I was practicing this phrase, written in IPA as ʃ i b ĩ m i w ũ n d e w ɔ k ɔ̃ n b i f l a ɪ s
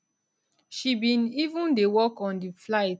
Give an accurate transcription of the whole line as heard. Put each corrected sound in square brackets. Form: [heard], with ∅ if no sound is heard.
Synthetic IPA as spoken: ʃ i b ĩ [n] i [v] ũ n d e w ɔ k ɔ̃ n [d] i f l a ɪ [t]